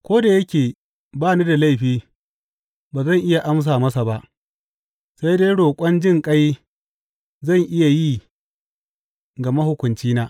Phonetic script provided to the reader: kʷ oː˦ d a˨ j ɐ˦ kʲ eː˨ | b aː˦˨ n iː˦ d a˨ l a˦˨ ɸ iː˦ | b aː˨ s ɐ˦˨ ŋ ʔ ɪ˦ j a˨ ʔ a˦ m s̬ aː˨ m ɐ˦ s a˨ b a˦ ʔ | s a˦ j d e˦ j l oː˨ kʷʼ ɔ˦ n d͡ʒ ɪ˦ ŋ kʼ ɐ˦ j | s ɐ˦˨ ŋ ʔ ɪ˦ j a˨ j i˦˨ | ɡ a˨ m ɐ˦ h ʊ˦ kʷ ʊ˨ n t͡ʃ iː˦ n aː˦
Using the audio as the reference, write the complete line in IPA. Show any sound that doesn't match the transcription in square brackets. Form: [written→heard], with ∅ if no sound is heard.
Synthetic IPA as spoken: kʷ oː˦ d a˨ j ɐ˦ kʲ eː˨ | b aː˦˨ n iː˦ d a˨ l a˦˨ ɸ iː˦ | b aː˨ [s→z] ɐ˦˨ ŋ ʔ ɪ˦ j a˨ ʔ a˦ m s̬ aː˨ m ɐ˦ s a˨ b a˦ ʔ | s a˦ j d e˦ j [l→ɽ] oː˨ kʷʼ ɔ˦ n d͡ʒ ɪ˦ ŋ kʼ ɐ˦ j | [s→z] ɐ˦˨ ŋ ʔ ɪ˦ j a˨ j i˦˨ | ɡ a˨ m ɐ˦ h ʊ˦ kʷ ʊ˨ n t͡ʃ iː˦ n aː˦